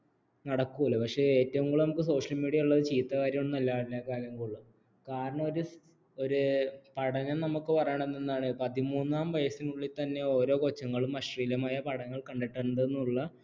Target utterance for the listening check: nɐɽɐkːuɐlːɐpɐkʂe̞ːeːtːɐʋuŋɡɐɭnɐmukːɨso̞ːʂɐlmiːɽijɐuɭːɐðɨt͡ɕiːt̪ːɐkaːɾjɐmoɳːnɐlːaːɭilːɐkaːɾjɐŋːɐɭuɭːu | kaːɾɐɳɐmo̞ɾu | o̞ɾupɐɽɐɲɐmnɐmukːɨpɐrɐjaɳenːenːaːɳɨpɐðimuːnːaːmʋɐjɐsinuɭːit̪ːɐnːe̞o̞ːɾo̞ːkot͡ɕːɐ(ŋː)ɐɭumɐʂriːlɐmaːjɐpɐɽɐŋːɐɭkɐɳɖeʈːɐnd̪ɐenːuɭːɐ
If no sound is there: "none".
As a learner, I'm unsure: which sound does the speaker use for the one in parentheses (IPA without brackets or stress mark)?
ŋː